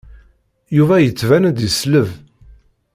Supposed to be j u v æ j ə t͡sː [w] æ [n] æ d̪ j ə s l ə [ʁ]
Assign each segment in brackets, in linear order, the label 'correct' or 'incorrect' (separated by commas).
incorrect, correct, incorrect